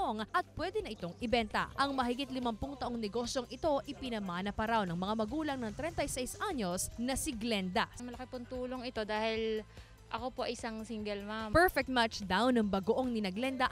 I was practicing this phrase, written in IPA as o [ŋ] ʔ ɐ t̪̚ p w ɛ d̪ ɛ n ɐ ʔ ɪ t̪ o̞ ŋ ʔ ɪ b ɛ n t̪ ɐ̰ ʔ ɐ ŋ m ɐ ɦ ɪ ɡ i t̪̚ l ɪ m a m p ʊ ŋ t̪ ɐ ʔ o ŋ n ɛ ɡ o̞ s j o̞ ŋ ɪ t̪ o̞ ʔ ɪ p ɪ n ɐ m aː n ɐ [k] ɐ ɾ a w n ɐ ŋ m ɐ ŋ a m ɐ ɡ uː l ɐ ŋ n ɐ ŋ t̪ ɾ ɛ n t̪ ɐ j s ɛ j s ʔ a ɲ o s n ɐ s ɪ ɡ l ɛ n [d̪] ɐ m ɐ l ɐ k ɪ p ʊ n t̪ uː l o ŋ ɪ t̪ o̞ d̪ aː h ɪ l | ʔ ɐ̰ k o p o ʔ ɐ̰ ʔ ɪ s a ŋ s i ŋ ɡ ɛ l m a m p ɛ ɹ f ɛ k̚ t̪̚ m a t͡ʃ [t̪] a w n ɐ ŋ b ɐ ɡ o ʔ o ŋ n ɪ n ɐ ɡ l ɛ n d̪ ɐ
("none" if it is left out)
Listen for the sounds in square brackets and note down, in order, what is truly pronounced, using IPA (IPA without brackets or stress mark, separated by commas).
ŋ, p, d̪, d̪